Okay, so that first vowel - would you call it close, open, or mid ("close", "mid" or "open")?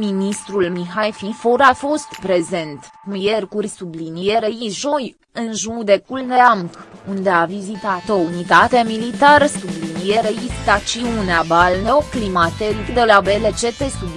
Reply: close